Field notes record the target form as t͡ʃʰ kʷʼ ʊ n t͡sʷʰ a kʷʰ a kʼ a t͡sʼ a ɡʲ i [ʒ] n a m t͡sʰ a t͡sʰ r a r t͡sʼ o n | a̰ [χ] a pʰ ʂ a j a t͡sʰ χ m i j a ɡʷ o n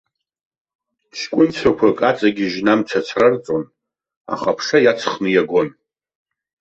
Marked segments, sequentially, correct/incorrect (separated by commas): correct, correct